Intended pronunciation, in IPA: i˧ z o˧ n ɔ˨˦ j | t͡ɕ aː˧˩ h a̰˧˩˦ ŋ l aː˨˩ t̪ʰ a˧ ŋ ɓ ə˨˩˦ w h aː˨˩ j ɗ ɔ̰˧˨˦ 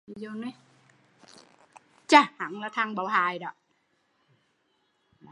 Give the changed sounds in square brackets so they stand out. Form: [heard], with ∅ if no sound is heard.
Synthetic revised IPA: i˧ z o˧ n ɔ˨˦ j | t͡ɕ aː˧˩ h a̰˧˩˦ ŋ l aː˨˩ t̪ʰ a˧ ŋ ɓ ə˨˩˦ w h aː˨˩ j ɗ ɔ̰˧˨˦